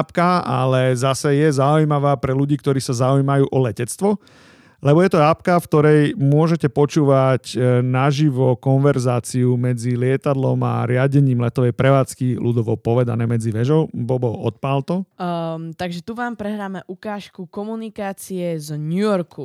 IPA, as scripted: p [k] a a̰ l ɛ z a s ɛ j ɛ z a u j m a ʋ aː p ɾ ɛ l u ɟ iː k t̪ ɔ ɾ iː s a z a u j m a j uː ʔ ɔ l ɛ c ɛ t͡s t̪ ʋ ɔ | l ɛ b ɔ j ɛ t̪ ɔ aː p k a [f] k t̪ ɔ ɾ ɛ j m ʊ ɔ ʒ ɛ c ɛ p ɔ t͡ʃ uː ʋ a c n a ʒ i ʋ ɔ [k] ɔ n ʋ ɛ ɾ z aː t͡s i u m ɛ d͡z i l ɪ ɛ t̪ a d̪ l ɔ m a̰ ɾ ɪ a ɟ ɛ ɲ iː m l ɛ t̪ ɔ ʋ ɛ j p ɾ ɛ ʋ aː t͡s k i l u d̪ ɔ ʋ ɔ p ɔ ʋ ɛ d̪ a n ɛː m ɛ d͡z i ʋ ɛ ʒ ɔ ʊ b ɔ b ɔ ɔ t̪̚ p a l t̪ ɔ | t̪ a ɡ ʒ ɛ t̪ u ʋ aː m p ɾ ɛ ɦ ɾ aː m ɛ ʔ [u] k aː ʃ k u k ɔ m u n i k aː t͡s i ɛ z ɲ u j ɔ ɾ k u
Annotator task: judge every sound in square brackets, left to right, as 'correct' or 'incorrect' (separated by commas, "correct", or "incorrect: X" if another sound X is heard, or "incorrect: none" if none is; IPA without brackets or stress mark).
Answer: correct, correct, correct, correct